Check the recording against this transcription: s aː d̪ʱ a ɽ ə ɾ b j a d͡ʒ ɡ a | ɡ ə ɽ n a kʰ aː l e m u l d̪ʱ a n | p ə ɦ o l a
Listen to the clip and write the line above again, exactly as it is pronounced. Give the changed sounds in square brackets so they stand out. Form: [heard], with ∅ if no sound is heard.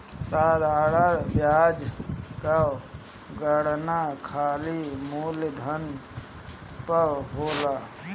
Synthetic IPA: s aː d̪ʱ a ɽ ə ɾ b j a d͡ʒ [k] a | ɡ ə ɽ n a kʰ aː l [i] m u l d̪ʱ [ə] n | p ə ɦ o l a